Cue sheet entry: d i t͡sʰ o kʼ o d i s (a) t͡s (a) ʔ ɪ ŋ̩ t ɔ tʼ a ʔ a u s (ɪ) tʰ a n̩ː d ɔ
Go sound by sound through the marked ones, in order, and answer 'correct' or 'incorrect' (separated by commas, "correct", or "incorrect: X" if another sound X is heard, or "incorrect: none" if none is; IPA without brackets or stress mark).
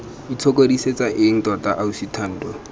incorrect: e, correct, incorrect: i